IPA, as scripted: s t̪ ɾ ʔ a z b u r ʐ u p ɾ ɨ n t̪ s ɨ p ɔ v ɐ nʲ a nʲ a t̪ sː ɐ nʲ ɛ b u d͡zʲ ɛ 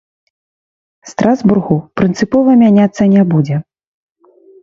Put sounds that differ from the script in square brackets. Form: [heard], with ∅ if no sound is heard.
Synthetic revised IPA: s t̪ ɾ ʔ a z b u r [ɣ] u p ɾ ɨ n t̪ s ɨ p ɔ v ɐ [mʲ] a nʲ a t̪ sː ɐ nʲ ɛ b u d͡zʲ ɛ